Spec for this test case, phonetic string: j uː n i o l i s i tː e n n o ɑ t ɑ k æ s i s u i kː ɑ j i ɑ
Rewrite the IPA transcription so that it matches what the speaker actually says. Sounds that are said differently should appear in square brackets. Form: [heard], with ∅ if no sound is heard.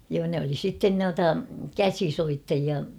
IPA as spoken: j [oː] n [e] o l i s i tː e n n [u] ɑ t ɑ k æ s i s [o] i [tː] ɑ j i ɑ